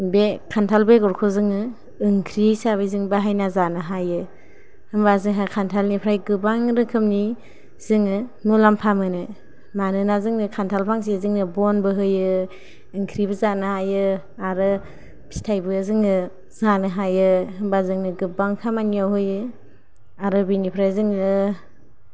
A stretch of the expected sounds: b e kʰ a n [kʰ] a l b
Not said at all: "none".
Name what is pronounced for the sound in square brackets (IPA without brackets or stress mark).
tʰ